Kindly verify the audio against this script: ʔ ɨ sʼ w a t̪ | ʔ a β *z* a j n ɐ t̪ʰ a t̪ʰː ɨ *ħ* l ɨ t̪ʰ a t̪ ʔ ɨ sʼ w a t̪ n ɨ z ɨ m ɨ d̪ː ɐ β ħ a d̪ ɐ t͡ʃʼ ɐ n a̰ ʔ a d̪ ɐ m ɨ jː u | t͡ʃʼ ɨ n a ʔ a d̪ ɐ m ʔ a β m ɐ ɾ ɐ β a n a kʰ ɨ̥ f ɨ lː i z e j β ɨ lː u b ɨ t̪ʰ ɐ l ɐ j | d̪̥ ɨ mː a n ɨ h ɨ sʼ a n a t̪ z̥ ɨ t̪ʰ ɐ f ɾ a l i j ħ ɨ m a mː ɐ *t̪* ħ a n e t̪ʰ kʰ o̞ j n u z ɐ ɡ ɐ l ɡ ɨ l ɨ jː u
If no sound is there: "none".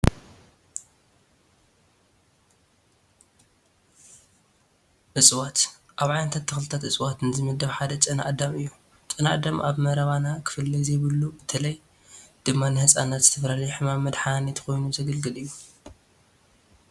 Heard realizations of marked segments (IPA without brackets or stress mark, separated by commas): ʕ, x, d̪